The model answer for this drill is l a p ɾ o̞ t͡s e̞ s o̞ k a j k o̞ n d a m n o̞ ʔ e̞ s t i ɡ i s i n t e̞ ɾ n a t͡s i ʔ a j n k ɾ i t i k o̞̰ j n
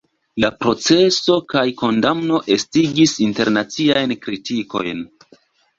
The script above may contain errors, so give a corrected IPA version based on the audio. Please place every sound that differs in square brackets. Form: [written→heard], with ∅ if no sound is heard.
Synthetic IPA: l a p ɾ o̞ t͡s e̞ s o̞ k a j k o̞ n d a m n o̞ ʔ e̞ s t i ɡ i s i n t e̞ ɾ n a t͡s i [ʔ→∅] a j n k ɾ i t i k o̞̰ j n